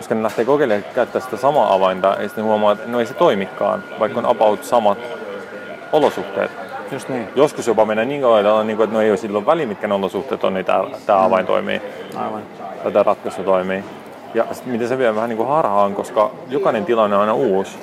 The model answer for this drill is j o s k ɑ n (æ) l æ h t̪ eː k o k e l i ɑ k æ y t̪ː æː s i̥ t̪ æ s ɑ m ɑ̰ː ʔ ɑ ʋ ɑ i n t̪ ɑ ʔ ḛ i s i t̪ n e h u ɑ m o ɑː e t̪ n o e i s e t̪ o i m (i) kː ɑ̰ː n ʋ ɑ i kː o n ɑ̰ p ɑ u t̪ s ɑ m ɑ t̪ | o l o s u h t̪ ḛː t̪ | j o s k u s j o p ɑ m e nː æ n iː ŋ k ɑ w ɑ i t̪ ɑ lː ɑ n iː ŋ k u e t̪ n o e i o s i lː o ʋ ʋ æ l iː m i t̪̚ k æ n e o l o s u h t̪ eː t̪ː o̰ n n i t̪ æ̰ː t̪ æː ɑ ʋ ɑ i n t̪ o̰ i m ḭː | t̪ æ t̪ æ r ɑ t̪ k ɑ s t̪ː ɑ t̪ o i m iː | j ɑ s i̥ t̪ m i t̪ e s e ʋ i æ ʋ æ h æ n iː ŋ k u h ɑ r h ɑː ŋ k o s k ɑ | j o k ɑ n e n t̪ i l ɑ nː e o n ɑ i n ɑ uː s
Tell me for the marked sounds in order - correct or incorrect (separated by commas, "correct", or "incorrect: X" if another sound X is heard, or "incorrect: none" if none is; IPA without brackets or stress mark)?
incorrect: e, correct